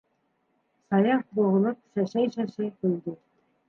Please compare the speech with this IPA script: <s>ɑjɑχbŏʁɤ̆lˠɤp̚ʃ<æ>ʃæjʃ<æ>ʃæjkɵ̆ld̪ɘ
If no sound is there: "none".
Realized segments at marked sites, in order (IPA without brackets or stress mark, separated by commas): s, æ, æ